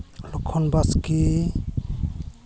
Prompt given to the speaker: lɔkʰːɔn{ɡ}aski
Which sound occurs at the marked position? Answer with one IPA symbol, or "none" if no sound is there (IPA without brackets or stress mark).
b